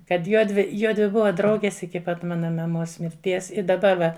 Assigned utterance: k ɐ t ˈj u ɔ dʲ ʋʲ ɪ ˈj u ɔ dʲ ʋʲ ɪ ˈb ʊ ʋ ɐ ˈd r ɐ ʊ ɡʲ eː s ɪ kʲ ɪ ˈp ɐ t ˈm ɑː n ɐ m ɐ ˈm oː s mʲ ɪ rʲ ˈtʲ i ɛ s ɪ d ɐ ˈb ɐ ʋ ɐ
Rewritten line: k ɐ t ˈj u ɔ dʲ ʋʲ ɪ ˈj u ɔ dʲ ʋʲ ɪ ˈb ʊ ʋ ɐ ˈd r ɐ ʊ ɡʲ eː s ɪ kʲ ɪ ˈp ɐ t ˈm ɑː n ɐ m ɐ ˈm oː s mʲ ɪ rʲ ˈtʲ i ɛ s ɪ d ɐ ˈb ɐ ʋ ɐ